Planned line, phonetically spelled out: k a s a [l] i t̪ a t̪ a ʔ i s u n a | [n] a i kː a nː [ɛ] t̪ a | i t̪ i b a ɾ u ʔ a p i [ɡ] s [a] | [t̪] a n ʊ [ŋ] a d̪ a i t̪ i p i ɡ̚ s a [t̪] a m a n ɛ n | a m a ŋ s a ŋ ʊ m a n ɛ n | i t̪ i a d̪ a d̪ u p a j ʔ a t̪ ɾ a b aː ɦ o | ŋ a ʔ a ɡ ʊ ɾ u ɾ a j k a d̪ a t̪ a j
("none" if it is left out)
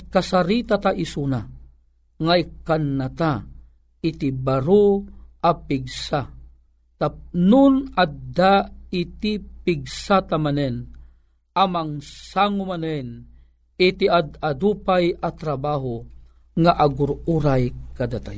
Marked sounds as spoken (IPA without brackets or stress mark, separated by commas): ɾ, ŋ, a, ɡ, a, t̪, n, t̪